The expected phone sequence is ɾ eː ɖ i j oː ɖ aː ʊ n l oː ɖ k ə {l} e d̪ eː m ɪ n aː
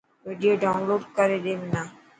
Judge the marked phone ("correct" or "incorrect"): incorrect